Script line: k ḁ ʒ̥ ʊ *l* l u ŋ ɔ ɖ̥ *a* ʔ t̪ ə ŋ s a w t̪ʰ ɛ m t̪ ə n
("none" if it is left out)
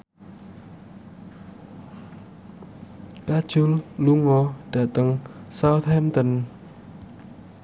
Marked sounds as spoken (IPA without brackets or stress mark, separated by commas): l, a